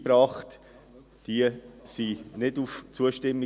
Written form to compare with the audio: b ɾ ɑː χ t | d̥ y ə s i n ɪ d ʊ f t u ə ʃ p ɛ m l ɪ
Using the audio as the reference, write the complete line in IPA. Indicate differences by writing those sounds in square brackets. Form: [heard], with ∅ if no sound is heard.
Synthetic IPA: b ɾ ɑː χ t | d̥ [i] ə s i n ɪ d [u] f [t͡s] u ə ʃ [t] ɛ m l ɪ